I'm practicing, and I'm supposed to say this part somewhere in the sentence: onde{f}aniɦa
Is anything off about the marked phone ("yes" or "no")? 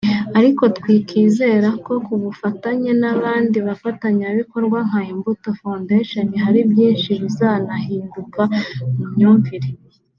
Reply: yes